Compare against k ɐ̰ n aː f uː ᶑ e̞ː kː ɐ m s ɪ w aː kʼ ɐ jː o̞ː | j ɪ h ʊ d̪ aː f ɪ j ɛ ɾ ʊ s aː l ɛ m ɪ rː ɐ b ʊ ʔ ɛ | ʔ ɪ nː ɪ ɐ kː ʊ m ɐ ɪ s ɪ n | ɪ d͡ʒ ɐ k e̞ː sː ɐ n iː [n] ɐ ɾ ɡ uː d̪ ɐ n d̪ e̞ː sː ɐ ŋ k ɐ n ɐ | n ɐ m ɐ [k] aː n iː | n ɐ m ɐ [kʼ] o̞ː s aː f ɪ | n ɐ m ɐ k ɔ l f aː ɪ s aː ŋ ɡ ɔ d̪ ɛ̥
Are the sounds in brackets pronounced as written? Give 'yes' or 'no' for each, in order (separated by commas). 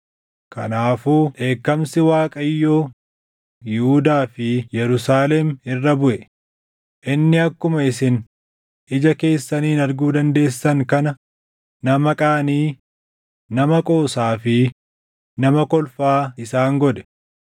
yes, no, yes